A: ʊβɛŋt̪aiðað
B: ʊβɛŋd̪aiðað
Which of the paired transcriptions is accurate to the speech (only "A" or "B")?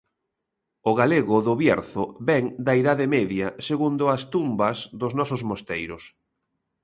B